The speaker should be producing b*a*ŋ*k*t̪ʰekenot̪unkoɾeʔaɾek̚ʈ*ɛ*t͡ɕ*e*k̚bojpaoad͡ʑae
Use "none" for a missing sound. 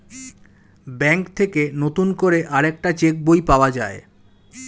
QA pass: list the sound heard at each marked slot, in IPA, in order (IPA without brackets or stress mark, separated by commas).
ɛ, k, a, e